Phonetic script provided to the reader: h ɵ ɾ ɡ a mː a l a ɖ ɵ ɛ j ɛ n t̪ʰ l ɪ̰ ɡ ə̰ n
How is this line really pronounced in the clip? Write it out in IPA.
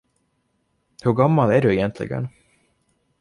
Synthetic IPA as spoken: h ɵ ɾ ɡ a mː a l æ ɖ ɵ ɛ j ɛ n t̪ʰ l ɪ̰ ɡ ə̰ n